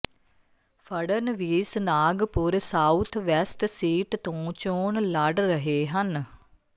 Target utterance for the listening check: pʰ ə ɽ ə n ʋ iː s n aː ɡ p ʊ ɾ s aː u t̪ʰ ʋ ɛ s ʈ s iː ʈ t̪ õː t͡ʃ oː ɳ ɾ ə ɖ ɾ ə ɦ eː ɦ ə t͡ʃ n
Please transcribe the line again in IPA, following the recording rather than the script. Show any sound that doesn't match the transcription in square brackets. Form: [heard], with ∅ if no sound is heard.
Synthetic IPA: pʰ ə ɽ ə n ʋ iː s n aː ɡ p ʊ ɾ s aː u t̪ʰ ʋ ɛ s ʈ s iː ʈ t̪ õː t͡ʃ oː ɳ [l] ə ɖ ɾ ə ɦ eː ɦ ə [∅] n